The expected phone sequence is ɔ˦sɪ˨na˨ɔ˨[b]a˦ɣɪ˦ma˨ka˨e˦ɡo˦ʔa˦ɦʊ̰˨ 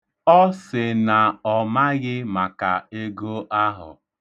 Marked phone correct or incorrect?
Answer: incorrect